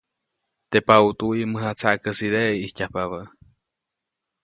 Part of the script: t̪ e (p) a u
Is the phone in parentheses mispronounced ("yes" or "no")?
no